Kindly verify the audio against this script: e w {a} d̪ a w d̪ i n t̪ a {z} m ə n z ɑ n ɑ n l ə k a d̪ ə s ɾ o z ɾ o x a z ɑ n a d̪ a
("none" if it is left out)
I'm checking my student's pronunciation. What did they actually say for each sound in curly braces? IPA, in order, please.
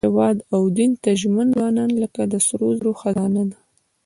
ɑ, ʒ

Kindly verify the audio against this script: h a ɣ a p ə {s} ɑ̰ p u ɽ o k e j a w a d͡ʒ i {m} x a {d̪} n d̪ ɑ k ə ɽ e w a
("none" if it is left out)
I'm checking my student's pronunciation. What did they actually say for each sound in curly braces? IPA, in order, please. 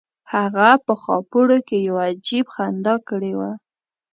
x, b, none

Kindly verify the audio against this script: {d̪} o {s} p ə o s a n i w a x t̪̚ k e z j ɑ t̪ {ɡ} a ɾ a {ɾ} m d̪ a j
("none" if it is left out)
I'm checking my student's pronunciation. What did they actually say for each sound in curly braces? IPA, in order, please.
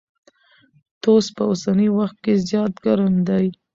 t̪, s, ɡ, none

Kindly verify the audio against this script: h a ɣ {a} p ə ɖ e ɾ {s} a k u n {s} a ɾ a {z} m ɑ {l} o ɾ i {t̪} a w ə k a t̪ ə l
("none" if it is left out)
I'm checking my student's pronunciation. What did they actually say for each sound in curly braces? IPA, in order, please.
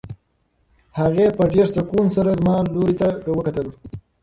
e, s, s, z, l, t̪

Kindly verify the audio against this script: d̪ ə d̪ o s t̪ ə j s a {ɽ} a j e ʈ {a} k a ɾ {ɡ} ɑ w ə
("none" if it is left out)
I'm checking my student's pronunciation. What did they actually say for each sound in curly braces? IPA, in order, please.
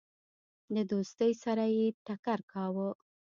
ɾ, a, k

